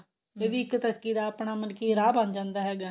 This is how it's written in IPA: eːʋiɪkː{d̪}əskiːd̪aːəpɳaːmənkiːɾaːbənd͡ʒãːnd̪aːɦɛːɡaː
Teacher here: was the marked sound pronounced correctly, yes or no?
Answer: no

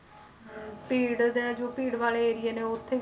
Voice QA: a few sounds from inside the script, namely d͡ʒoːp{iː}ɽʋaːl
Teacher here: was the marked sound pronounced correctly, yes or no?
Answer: yes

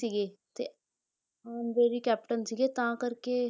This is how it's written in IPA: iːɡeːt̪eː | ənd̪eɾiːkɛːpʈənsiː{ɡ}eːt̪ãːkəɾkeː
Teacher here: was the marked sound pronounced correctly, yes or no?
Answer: yes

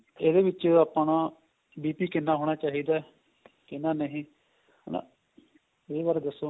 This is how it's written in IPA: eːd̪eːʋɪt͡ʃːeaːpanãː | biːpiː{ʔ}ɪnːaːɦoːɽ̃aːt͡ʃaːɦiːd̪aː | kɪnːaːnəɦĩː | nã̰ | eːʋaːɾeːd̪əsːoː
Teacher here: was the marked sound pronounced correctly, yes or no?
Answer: no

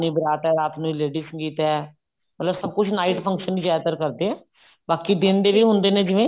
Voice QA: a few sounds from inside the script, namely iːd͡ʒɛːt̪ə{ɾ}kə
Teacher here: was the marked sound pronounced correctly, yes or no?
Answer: yes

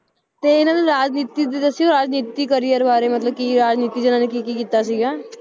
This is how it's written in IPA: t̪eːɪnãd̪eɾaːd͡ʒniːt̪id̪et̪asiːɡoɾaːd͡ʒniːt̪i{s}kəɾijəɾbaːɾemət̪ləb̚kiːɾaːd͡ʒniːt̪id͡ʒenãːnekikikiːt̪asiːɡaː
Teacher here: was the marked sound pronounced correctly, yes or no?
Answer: no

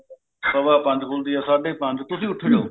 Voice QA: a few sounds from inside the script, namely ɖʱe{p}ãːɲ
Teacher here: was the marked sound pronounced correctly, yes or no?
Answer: yes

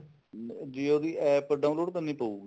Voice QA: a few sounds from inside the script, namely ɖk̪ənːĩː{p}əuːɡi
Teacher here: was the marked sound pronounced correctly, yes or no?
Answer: yes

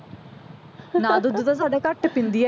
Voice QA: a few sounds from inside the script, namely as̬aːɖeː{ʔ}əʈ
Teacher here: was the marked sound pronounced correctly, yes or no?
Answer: no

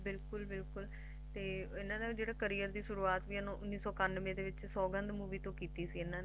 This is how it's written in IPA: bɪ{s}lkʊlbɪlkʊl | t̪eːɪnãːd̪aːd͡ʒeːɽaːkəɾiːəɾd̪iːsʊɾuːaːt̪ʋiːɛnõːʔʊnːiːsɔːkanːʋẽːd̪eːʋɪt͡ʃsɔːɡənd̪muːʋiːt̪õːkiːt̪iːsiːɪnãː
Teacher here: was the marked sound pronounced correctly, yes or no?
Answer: no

